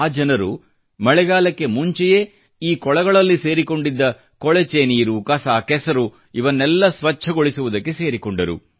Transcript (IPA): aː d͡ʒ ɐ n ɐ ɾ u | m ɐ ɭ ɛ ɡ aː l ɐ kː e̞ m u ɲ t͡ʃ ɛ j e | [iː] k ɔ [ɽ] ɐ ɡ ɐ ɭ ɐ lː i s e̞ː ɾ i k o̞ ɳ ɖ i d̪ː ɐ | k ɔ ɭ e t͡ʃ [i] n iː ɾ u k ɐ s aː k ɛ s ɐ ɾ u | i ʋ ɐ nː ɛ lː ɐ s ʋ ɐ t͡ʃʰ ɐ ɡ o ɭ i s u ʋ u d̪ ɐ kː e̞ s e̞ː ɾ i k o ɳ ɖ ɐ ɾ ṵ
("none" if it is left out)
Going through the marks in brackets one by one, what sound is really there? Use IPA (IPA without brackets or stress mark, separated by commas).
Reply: iː, ɭ, e